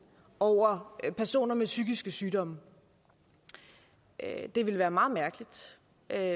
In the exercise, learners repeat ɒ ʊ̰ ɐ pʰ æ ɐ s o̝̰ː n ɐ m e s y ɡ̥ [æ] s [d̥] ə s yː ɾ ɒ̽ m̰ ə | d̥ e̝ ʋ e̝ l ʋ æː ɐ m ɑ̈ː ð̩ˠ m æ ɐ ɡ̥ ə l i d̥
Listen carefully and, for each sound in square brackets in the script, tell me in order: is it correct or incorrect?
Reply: incorrect, incorrect

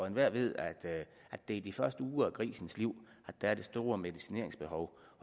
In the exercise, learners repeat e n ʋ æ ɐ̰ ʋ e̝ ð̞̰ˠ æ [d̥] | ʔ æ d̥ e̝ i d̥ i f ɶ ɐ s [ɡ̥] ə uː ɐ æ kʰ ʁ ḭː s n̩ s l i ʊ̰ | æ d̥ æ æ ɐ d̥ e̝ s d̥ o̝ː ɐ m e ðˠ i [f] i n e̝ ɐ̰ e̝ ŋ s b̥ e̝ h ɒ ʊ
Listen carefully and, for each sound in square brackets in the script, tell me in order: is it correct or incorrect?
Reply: correct, incorrect, incorrect

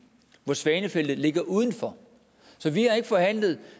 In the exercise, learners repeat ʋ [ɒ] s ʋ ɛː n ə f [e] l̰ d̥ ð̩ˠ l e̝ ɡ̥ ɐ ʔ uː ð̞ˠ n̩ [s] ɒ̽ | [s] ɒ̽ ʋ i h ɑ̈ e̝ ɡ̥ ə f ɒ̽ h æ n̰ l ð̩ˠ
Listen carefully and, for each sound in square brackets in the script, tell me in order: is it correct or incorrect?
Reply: correct, correct, incorrect, correct

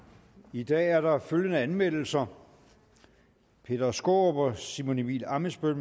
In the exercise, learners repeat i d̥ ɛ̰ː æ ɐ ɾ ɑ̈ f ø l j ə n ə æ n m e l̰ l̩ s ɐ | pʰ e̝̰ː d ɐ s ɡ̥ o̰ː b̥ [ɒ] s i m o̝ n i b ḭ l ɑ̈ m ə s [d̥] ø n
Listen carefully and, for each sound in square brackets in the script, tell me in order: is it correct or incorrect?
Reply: correct, incorrect

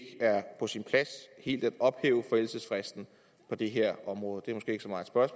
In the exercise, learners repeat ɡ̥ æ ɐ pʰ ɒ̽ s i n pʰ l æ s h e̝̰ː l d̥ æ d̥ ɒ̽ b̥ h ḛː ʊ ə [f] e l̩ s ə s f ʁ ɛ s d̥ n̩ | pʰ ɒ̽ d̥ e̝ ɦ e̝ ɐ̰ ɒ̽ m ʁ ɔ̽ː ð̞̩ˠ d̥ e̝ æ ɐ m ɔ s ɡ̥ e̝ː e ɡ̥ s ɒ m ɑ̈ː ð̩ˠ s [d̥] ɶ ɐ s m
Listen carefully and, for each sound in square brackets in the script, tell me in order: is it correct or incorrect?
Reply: correct, incorrect

